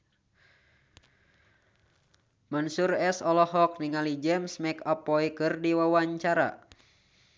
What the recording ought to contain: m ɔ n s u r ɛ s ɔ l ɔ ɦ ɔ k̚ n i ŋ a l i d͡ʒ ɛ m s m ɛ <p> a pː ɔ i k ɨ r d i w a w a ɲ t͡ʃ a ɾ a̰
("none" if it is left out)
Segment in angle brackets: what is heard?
k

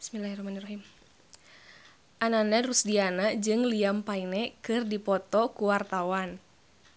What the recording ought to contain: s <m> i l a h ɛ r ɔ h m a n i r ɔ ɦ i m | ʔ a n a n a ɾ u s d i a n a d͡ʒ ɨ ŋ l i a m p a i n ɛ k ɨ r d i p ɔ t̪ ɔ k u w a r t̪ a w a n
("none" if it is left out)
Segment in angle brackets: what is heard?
m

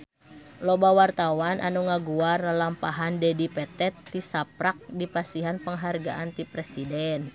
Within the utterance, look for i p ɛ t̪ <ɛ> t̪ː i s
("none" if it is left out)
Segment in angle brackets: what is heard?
ɛ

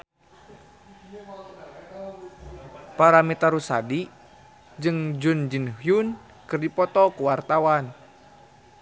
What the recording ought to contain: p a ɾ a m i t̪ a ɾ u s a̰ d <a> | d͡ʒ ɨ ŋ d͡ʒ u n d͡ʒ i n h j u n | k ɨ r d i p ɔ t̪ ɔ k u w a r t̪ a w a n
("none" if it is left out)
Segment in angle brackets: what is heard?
i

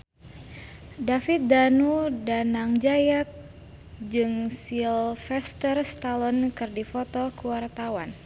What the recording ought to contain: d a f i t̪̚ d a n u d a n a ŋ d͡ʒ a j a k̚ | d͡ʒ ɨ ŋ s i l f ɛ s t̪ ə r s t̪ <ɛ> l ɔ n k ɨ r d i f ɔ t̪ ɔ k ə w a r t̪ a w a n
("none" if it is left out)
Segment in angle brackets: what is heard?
a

